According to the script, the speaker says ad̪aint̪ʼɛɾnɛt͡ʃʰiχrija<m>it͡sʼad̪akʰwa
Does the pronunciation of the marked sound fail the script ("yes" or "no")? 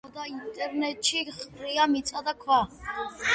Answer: no